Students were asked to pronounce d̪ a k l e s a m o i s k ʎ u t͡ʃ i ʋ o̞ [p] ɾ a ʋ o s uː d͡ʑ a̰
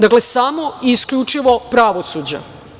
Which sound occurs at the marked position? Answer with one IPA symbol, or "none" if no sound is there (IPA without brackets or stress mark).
p